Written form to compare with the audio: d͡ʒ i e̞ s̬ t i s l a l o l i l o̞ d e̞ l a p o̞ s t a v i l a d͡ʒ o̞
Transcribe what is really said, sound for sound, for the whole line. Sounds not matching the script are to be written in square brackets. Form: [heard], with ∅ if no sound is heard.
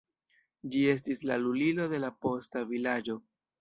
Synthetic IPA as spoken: d͡ʒ i e̞ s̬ t i s l a l [u] l i l o̞ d e̞ l a p o̞ s t a v i l a d͡ʒ o̞

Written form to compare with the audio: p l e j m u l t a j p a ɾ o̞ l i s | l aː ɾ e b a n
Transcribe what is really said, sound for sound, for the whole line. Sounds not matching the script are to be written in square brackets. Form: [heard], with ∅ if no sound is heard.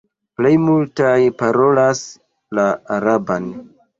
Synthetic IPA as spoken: p l e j m u l t a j p a ɾ o̞ l [a] s | l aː ɾ [a] b a n

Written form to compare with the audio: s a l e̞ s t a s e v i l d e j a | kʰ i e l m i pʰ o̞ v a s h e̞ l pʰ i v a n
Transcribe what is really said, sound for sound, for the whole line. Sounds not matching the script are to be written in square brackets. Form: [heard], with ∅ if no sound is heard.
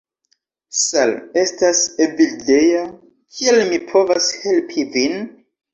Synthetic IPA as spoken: s a l e̞ s t a s e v i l d e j a | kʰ i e l m i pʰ o̞ v a s h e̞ l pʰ i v [i] n

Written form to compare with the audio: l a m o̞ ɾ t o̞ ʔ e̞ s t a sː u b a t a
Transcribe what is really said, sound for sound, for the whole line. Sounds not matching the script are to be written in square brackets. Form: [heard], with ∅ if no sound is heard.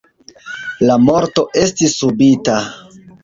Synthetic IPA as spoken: l a m o̞ ɾ t o̞ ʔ e̞ s t [i] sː u b [i] t a

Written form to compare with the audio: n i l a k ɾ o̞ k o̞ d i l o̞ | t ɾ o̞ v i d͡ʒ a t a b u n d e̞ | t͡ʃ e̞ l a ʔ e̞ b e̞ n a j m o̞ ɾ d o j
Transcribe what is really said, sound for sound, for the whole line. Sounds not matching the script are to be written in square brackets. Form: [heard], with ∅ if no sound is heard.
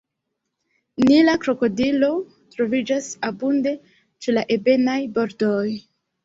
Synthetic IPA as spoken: n i l a k ɾ o̞ k o̞ d i l o̞ | t ɾ o̞ v i d͡ʒ a [s] a b u n d e̞ | t͡ʃ e̞ l a ʔ e̞ b e̞ n a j [b] o̞ ɾ d o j

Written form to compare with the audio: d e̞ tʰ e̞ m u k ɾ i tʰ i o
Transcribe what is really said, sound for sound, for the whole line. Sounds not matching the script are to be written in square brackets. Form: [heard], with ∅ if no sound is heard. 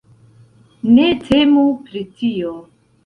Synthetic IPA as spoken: [n] e̞ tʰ e̞ m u [p] ɾ i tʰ i o

